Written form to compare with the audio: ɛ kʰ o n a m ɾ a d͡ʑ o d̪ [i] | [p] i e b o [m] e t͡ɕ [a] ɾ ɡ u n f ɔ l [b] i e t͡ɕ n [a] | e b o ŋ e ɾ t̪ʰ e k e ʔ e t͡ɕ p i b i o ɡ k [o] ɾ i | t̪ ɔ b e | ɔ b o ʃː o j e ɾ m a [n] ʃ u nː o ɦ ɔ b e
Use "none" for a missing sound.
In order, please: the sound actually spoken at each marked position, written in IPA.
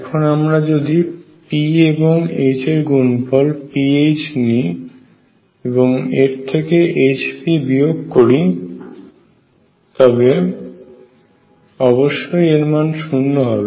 i, p, ŋ, e, p, i, o, n

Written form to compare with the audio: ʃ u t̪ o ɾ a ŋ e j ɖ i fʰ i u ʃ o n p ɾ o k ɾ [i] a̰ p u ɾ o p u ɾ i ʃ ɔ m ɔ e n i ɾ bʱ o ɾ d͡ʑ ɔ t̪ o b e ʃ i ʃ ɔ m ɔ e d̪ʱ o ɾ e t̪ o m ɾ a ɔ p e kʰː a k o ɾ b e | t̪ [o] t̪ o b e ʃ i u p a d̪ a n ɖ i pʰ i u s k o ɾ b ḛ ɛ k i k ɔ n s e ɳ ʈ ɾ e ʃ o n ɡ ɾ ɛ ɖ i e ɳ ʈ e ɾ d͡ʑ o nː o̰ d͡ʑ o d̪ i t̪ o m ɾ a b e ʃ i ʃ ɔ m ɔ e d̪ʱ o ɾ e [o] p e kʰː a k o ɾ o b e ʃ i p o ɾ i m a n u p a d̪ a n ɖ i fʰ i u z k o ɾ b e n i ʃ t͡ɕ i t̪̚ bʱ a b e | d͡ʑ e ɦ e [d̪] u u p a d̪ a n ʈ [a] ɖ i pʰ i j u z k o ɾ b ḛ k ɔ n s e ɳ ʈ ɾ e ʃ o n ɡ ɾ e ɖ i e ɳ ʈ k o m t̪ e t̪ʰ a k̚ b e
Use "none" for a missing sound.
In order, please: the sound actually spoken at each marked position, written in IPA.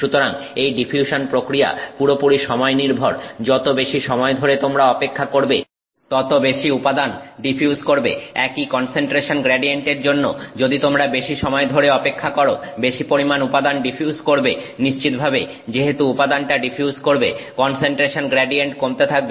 i, ɔ, ɔ, t̪, a

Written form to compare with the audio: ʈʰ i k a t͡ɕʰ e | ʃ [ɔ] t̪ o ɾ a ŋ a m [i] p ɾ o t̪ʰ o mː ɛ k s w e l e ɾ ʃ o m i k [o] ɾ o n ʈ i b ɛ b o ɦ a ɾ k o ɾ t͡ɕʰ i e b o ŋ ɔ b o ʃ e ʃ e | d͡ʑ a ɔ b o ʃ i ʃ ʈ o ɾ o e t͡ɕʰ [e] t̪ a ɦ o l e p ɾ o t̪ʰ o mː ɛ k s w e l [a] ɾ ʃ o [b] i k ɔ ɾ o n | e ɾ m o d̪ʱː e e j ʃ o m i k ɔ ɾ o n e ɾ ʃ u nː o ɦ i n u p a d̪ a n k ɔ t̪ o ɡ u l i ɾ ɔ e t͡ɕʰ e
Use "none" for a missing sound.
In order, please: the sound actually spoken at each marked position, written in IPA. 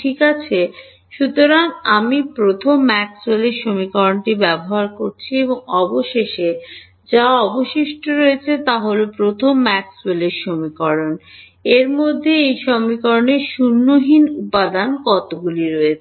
u, i, ɔ, e, e, m

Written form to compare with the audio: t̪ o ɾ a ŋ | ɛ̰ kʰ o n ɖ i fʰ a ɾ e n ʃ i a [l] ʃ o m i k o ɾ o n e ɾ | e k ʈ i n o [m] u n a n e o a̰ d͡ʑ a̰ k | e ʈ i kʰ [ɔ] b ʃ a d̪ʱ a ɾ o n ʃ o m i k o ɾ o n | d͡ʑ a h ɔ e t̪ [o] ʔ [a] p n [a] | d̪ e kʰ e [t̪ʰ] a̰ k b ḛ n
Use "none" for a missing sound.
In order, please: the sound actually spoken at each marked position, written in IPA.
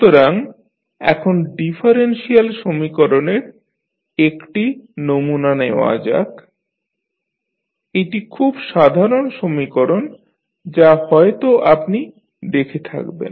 l, m, u, o, a, i, t̪ʰ

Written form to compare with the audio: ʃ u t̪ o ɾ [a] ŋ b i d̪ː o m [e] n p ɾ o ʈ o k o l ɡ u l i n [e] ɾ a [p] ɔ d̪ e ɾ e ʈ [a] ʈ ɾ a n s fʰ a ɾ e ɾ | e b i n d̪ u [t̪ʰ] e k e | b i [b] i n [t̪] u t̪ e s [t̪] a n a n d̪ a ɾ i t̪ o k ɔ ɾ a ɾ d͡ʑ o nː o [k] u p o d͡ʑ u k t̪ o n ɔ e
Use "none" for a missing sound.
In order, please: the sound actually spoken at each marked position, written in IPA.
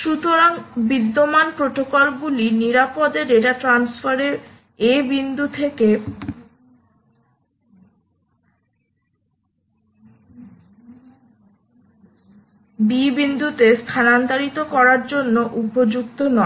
a, a, i, p, a, t̪ʰ, b, d̪, t̪ʰ, ʔ

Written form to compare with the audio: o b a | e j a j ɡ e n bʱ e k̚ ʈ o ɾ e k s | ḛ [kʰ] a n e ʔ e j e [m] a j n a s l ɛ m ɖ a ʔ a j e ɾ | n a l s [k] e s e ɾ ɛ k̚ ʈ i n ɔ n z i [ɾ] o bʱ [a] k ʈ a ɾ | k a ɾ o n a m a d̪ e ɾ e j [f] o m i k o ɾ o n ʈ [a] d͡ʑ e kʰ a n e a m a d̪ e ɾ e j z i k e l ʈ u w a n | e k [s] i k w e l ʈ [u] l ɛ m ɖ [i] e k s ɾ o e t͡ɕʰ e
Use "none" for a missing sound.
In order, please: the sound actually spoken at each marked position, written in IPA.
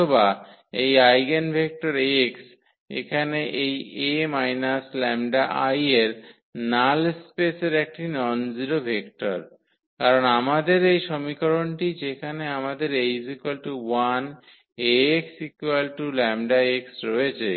kʰ, m, p, ɾ, e, ʃ, i, s, u, a

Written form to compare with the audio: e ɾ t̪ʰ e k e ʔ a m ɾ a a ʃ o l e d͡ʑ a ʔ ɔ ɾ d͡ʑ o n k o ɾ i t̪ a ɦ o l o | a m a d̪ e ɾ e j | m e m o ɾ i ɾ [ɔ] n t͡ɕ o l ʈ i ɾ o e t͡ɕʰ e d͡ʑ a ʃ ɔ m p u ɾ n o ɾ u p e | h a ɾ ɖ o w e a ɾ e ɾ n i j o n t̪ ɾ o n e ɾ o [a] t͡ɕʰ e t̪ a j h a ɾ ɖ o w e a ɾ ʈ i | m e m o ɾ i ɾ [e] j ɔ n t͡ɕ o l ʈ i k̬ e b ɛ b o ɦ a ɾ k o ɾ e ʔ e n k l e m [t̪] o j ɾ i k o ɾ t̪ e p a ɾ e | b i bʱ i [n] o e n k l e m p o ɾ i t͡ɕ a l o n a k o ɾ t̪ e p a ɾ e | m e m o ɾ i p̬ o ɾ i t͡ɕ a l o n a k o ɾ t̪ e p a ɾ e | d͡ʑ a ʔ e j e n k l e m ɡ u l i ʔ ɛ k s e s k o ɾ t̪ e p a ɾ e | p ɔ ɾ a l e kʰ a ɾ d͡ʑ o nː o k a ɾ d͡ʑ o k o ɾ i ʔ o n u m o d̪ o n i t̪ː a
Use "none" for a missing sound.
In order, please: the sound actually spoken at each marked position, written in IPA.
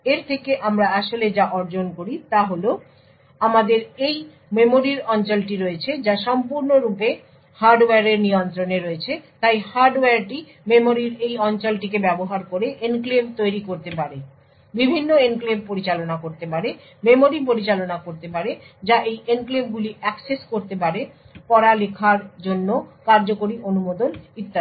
ɔ, e, e, t̪, nː

